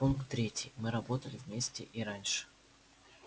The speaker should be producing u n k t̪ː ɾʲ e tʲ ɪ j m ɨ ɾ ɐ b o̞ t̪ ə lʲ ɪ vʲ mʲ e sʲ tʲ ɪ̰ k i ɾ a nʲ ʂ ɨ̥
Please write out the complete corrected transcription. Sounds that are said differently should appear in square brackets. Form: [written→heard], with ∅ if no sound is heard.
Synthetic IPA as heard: u n k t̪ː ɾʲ e tʲ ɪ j m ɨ ɾ ɐ b o̞ t̪ ə lʲ ɪ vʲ mʲ e sʲ tʲ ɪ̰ [k→ʔ] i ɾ a nʲ ʂ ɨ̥